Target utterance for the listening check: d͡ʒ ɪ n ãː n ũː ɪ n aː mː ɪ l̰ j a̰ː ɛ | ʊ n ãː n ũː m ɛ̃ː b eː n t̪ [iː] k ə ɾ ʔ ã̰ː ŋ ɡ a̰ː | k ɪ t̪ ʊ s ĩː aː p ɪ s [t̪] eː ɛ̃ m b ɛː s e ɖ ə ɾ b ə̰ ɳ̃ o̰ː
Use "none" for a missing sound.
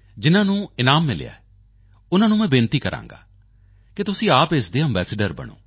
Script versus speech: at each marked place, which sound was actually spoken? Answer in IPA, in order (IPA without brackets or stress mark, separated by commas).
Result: iː, d̪